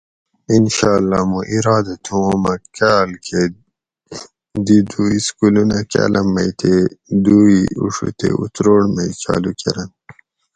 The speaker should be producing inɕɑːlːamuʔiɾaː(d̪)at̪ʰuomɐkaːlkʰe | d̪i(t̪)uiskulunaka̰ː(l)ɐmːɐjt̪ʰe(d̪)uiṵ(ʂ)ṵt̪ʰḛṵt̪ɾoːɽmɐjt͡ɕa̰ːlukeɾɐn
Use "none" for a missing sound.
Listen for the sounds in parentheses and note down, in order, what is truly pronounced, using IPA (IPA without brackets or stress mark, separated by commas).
d̪, d̪, l, d̪, ʂ